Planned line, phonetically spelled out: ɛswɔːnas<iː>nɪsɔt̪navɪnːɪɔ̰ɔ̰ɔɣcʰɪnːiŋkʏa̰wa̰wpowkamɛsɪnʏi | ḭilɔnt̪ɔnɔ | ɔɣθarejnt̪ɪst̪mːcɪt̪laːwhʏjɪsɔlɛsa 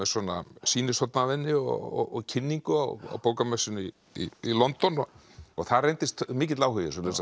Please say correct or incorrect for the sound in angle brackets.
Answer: correct